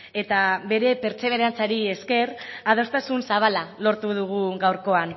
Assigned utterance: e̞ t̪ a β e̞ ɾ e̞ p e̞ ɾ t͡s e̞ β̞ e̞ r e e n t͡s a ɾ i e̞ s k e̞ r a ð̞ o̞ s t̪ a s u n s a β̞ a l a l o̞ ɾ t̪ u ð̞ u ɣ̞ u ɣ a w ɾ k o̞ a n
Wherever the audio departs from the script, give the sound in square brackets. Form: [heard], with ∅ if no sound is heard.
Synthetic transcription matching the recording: e̞ t̪ a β e̞ ɾ e̞ p e̞ ɾ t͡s e̞ β̞ e̞ [ɾ] e [a] n t͡s a ɾ i e̞ s k e̞ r a ð̞ o̞ s t̪ a s u n s a β̞ a l a l o̞ ɾ t̪ u ð̞ u ɣ̞ u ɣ a w ɾ k o̞ a n